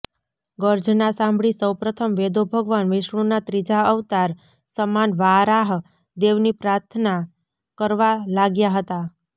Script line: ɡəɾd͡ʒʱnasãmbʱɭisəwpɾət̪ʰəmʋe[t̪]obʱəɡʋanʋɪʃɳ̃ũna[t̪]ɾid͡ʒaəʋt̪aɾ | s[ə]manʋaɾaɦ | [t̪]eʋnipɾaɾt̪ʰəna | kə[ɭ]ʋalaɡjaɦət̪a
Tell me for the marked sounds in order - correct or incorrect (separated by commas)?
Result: incorrect, correct, correct, incorrect, incorrect